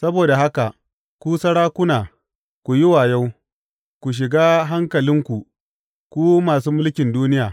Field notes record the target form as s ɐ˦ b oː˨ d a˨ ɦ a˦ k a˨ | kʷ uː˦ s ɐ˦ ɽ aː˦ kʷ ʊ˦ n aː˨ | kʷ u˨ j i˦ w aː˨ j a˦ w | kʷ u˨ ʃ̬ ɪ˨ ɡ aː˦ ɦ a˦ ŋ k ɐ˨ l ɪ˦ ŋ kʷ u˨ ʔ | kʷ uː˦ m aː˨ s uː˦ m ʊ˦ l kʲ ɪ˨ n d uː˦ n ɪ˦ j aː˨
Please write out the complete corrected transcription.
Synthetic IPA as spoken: s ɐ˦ b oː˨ d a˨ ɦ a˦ k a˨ | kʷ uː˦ s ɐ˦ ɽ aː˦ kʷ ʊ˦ n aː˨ | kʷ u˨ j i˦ w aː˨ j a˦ w | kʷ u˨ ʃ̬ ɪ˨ ɡ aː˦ ɦ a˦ ŋ k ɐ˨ l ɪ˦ ŋ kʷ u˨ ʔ | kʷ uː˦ m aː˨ s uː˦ m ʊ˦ l kʲ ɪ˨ n d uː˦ n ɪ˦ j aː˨

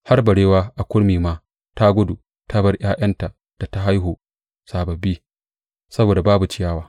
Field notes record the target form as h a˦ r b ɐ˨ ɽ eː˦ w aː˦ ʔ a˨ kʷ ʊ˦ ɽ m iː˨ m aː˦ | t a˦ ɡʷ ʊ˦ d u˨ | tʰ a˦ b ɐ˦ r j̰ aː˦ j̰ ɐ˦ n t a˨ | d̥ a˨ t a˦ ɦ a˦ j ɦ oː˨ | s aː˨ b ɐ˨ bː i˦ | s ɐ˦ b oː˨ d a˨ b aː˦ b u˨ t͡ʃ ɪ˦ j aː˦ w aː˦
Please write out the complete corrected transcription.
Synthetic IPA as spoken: h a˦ r b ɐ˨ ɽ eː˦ w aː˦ ʔ a˨ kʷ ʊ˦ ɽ m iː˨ m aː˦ | t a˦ ɡʷ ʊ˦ d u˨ | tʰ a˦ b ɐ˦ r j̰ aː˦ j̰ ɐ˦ n t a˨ | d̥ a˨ t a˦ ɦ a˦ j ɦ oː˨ | s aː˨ b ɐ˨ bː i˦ | s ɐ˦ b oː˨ d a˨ b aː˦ b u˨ t͡ʃ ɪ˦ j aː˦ w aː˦

